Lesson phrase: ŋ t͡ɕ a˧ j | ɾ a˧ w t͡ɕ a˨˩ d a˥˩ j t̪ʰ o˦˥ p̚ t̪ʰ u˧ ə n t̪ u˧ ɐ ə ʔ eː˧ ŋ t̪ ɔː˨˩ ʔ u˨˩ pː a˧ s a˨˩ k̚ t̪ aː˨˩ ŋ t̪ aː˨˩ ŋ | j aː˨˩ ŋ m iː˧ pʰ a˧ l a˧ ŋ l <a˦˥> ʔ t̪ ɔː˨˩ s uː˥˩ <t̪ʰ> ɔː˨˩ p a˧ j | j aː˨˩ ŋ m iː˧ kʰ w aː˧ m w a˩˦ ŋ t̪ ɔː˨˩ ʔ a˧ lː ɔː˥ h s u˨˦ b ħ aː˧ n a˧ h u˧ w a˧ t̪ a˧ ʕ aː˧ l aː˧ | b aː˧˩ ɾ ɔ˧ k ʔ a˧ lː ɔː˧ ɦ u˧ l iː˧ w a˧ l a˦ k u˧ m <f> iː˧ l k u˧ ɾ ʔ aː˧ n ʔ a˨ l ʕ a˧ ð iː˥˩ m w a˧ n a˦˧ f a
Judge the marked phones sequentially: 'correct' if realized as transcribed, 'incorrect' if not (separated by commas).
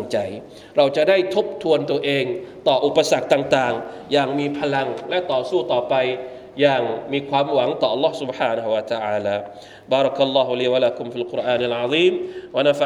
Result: incorrect, incorrect, correct